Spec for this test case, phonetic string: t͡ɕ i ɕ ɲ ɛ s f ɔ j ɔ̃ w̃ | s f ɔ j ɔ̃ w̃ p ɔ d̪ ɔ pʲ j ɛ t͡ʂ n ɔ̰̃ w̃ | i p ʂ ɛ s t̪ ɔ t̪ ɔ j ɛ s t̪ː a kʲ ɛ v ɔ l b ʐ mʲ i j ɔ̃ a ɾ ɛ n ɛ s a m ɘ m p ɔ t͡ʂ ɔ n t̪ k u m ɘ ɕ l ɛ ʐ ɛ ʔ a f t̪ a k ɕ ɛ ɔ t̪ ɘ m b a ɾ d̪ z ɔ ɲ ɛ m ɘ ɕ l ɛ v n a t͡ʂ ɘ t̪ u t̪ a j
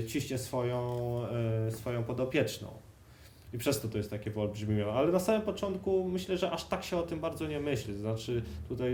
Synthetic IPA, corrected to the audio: t͡ɕ i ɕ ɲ ɛ s f ɔ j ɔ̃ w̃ | s f ɔ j ɔ̃ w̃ p ɔ d̪ ɔ pʲ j ɛ t͡ʂ n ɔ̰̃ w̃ | i p ʂ ɛ s t̪ ɔ t̪ ɔ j ɛ s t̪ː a kʲ ɛ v ɔ l b ʐ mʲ i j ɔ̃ a l ɛ n a s a m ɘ m p ɔ t͡ʂ ɔ n t̪ k u m ɘ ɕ l ɛ ʐ ɛ ʔ a ʂ t̪ a k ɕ ɛ ɔ t̪ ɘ m b a ɾ d̪ z ɔ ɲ ɛ m ɘ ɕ l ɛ z n a t͡ʂ ɘ t̪ u t̪ a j